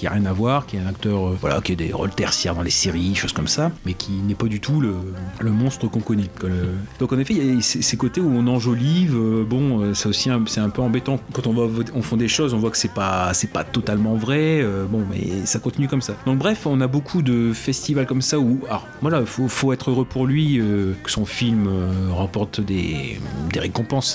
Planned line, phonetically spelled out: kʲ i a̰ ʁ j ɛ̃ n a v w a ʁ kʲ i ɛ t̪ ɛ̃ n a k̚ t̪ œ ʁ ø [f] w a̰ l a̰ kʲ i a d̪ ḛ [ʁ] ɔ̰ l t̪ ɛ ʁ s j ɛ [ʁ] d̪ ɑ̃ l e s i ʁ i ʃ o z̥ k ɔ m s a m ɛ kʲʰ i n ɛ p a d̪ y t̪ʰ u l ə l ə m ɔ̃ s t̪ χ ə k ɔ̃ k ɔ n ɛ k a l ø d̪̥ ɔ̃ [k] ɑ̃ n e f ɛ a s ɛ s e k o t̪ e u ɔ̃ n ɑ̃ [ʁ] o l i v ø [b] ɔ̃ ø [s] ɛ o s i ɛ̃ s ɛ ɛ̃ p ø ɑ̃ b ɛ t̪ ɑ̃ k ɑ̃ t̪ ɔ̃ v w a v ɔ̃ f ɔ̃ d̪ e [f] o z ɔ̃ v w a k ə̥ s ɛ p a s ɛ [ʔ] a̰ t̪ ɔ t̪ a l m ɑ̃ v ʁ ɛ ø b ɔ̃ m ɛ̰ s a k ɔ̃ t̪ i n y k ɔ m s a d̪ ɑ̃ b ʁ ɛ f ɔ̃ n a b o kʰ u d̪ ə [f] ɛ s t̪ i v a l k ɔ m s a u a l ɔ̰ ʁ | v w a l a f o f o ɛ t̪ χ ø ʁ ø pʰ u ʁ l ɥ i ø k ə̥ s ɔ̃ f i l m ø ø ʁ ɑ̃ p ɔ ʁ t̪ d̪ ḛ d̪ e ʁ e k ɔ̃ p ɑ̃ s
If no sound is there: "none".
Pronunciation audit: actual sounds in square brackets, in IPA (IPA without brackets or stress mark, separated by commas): v, ʁ, ʁ, k, ʒ, b, s, ʃ, p, f